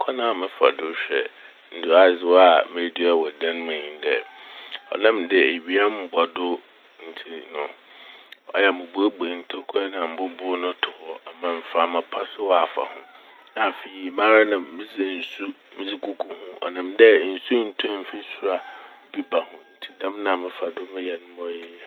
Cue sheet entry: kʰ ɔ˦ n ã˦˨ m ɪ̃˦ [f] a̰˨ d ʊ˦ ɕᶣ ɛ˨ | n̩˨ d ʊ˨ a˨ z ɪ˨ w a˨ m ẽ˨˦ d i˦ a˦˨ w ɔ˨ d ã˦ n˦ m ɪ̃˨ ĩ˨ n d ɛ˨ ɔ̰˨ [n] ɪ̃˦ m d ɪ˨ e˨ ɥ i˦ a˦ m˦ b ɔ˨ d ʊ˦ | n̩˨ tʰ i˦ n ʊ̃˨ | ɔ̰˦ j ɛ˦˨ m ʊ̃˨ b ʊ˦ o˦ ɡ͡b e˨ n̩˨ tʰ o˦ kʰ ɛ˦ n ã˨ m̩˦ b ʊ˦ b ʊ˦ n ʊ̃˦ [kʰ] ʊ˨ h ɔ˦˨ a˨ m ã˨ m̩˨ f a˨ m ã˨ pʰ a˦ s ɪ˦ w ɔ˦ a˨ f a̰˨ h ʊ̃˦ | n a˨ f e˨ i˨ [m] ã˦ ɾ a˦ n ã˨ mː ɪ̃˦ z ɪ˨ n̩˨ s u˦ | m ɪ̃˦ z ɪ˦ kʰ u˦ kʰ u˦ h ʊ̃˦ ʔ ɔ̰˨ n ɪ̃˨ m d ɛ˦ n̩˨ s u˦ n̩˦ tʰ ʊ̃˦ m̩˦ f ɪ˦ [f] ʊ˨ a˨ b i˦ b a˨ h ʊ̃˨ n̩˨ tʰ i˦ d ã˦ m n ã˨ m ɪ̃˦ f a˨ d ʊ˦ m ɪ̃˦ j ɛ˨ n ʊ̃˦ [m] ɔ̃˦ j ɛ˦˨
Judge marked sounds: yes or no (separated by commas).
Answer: yes, yes, no, yes, no, yes